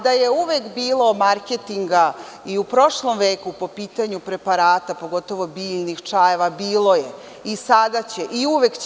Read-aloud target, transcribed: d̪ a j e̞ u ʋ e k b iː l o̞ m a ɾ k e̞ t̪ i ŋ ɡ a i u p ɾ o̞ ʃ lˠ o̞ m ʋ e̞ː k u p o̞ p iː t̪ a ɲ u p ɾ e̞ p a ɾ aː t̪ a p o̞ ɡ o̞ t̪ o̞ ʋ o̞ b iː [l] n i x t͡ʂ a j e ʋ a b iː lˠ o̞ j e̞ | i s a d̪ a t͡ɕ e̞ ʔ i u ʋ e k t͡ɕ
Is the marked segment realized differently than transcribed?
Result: yes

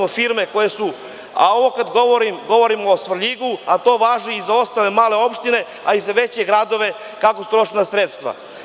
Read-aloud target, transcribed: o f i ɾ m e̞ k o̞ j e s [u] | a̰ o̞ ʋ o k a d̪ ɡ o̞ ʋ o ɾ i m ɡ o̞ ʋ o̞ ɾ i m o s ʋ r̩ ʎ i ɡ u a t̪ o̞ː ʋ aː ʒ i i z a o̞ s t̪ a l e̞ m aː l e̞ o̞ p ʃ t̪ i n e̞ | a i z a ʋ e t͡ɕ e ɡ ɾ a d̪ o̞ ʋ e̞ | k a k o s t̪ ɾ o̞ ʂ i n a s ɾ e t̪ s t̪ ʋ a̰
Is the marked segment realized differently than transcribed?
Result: no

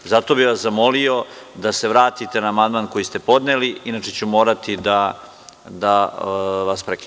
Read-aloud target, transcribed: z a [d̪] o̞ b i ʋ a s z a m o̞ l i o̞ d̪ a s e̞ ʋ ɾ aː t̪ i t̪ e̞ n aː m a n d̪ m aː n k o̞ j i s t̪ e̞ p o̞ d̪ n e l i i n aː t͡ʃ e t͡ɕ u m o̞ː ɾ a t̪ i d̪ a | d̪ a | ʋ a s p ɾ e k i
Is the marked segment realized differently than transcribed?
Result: yes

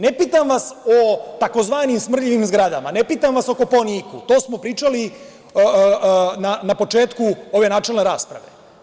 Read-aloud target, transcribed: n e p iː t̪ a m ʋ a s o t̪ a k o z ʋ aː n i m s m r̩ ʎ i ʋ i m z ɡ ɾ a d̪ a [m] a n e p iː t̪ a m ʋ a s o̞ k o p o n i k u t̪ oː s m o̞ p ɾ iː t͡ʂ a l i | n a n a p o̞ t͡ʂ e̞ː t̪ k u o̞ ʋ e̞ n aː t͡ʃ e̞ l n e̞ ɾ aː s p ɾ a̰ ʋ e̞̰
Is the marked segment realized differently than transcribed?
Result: no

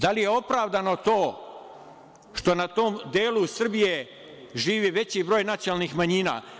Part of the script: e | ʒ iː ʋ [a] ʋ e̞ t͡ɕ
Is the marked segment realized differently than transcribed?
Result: yes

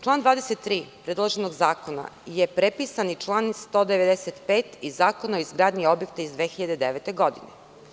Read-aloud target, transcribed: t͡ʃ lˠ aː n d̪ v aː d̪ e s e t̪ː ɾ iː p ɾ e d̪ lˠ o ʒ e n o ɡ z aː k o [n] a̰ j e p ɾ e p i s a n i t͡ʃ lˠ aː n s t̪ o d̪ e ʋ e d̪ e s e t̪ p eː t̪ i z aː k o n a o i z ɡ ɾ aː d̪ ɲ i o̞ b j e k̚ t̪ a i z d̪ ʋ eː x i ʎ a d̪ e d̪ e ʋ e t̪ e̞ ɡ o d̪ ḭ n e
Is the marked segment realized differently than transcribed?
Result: no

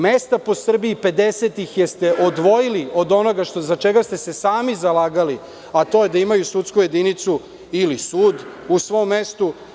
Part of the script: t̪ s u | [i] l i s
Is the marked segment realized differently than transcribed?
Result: no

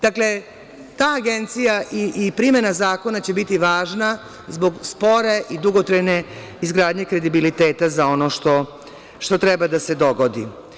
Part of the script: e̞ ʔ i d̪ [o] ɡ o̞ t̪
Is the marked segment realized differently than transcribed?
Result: yes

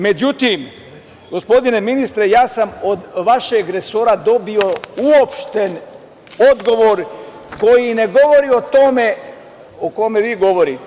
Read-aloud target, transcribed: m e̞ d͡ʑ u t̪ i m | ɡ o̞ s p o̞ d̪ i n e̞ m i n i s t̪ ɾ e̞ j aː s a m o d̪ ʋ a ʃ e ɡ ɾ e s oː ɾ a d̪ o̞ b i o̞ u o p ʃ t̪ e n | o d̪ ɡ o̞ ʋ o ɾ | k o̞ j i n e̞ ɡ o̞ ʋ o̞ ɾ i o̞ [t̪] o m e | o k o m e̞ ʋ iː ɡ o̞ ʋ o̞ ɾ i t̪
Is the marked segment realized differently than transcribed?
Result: no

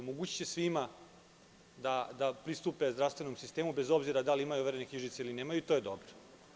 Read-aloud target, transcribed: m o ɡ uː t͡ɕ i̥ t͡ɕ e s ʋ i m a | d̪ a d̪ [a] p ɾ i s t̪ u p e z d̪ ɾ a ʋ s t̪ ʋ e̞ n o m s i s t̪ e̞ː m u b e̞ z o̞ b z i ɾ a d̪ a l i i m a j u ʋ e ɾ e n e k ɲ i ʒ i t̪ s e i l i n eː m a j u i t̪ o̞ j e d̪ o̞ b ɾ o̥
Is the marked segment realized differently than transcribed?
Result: no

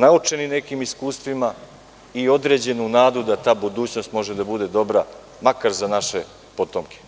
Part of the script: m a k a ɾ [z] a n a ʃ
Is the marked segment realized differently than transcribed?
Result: no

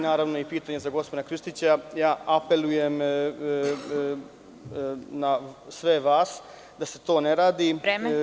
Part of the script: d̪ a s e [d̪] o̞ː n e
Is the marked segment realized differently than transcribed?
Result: yes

